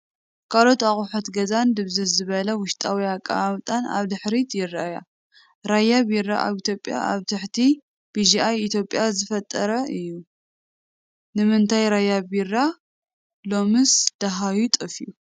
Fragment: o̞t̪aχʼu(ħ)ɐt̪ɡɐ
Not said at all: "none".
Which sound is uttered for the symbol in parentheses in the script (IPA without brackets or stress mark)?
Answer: ħ